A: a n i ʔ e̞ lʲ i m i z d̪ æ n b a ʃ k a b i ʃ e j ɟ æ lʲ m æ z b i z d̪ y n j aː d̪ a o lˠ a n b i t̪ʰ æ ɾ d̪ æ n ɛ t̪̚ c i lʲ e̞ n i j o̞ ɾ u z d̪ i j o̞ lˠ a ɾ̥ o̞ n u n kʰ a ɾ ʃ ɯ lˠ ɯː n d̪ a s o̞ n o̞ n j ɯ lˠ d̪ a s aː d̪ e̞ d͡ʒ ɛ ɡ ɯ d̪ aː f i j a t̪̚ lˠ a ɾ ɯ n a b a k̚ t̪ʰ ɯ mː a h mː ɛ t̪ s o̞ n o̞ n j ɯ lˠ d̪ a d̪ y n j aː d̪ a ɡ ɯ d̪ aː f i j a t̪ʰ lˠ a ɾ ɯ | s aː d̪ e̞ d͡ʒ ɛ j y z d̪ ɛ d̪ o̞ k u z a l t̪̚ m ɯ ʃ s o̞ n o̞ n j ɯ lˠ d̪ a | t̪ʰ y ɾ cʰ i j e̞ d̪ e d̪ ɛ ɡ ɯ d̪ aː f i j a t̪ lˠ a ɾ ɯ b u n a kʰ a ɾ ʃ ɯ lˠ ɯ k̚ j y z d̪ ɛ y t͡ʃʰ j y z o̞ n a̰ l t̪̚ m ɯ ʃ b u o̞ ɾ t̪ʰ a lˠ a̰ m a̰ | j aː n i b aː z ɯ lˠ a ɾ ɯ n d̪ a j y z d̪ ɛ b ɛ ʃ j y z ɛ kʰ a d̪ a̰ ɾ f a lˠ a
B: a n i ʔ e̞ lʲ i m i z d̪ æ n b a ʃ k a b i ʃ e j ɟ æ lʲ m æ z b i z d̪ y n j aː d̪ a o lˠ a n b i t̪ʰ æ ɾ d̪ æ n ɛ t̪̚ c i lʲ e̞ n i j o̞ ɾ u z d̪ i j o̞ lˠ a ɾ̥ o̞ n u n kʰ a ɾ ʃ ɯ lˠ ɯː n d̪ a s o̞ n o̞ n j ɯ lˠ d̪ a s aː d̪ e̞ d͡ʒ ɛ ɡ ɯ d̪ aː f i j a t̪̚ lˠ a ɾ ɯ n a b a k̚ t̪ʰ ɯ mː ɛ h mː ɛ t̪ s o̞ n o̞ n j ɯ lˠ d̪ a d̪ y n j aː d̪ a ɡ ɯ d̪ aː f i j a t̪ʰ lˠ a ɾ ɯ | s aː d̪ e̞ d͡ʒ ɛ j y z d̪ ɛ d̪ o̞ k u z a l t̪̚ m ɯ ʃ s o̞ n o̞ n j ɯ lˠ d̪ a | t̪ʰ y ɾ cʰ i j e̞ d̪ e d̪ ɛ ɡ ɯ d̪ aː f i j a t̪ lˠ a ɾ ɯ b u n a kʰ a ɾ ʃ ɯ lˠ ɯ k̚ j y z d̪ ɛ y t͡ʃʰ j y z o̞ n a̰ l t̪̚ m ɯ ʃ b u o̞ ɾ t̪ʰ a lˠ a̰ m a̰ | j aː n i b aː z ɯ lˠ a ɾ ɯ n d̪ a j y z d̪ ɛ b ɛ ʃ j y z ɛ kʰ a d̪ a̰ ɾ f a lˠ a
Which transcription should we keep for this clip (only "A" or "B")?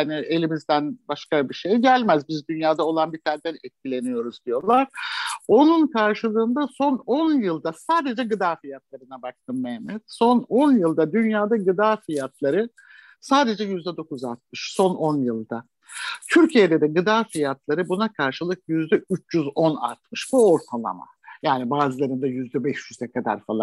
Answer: B